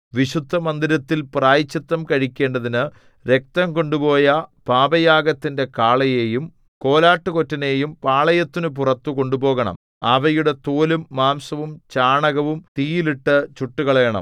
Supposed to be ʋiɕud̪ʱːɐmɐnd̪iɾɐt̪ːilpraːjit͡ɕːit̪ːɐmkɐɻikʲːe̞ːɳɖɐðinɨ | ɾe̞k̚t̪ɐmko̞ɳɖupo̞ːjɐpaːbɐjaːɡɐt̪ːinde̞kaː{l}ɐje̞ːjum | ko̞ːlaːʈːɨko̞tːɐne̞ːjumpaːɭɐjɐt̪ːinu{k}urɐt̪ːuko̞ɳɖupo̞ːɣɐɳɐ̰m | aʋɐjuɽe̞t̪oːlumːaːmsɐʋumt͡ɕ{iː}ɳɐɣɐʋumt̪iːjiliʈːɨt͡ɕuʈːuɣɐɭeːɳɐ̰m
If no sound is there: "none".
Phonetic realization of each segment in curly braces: ɭ, p, aː

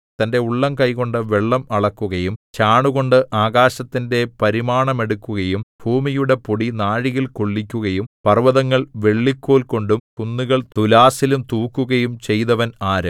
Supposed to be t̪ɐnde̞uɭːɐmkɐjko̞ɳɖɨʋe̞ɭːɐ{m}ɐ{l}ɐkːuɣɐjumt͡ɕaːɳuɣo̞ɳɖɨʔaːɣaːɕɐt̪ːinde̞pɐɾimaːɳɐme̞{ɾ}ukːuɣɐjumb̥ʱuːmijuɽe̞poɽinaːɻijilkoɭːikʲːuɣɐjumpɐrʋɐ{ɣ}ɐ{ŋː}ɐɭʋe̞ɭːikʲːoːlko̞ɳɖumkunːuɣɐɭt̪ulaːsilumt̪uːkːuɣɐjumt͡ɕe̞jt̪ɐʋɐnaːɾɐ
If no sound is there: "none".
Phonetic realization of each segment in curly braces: m, ɭ, ɽ, ð, ŋː

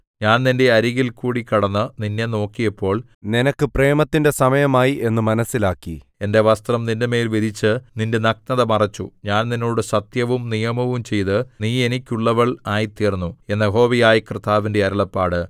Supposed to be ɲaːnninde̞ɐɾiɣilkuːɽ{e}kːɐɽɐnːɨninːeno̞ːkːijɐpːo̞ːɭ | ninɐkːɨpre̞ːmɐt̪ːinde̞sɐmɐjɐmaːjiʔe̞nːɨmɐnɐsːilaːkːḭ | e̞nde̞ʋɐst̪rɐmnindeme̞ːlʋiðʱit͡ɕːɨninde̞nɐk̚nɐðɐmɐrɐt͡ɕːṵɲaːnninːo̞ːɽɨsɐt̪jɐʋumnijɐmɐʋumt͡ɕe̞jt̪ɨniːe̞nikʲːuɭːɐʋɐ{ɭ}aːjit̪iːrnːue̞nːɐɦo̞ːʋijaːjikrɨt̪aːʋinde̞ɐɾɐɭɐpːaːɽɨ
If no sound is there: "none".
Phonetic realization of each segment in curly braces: i, ɭ

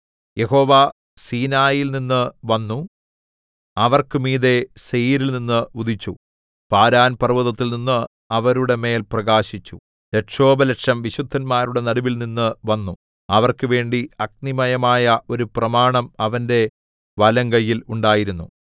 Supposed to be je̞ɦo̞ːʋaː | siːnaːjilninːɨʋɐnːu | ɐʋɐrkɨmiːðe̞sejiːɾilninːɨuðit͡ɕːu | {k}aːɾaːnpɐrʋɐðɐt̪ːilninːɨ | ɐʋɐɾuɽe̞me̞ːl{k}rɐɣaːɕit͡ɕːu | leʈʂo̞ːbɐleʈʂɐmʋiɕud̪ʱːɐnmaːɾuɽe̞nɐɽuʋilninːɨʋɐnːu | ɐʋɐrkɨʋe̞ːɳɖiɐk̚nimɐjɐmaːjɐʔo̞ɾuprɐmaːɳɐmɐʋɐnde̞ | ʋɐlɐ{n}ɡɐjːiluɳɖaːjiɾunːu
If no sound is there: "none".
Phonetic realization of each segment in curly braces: p, p, ŋ

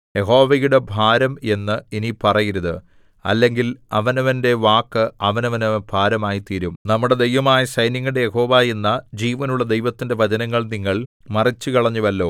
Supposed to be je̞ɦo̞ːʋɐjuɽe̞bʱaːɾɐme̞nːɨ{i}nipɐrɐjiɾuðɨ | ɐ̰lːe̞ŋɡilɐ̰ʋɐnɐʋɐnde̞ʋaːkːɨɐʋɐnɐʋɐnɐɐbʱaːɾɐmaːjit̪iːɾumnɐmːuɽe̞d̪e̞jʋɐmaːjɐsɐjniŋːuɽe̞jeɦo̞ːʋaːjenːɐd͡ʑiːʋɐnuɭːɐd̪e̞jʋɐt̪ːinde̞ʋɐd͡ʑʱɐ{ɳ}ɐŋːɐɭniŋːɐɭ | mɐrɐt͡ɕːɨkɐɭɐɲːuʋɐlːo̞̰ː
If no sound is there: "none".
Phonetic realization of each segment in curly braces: i, n

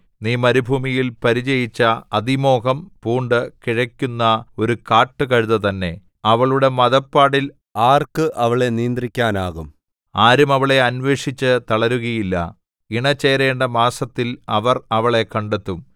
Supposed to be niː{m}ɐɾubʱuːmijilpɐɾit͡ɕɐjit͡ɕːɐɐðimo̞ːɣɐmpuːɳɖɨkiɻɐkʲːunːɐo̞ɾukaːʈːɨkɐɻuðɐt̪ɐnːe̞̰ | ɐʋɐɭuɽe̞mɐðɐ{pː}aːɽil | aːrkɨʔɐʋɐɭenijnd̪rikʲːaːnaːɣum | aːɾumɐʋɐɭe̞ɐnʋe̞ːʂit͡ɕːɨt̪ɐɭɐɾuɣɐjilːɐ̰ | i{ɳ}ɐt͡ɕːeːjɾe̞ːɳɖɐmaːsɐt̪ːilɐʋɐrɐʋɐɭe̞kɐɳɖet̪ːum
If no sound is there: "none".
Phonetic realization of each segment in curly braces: m, pː, ɳ

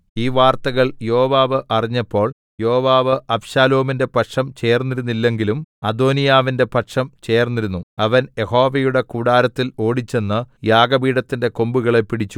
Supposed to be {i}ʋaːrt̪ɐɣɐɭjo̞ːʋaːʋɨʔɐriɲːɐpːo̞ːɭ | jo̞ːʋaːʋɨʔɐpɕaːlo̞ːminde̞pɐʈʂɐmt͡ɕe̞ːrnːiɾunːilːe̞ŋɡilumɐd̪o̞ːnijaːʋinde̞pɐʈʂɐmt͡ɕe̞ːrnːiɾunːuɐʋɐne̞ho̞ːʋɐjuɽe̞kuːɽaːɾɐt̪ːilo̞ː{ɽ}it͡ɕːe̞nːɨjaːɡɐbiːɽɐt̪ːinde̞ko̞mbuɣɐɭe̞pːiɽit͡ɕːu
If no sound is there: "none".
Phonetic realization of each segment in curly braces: iː, ɽ

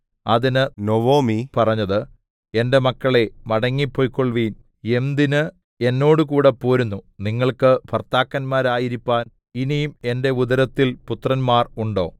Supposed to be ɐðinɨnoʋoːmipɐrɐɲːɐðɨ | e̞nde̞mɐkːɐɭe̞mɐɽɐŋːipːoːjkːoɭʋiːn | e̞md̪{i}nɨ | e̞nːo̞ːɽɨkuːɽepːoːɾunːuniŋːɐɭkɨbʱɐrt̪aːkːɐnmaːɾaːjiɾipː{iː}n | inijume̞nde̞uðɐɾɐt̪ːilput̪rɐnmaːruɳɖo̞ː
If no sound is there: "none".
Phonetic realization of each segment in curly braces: i, aː

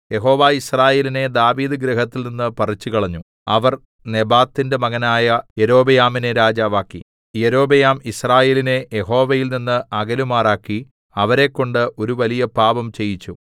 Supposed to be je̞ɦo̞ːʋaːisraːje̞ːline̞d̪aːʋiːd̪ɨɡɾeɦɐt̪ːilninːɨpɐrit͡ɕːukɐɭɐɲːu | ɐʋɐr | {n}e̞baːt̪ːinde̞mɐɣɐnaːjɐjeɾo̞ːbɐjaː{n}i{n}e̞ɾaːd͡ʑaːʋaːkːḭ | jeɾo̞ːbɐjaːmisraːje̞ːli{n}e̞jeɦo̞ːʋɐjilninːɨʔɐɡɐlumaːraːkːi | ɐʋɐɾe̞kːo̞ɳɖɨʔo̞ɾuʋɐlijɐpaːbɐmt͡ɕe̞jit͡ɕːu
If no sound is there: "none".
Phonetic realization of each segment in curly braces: n, m, n, n

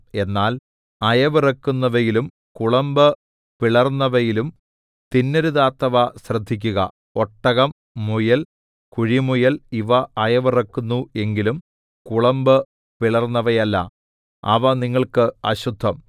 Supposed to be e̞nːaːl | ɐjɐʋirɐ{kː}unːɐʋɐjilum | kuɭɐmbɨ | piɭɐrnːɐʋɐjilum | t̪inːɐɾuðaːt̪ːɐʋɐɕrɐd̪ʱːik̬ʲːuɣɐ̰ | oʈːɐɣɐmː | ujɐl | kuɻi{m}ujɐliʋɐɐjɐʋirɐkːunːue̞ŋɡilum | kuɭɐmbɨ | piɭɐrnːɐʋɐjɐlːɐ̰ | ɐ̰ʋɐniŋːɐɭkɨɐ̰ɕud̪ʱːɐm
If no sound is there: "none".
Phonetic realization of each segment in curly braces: kː, m

